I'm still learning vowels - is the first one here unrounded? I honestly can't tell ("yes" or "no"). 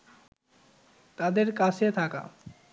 yes